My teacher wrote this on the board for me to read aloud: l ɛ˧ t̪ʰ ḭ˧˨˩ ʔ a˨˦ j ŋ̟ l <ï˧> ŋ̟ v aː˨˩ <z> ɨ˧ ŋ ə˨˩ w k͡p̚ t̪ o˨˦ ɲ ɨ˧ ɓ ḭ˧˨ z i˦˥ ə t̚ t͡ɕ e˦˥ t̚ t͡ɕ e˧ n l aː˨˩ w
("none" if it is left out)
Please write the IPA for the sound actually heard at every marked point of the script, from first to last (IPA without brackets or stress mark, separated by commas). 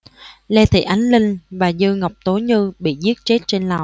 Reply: ï˧, z